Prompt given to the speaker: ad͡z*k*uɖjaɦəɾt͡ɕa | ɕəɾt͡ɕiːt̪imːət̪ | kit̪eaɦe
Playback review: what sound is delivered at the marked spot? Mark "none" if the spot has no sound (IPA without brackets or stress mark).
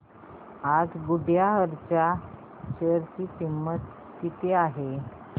ɡ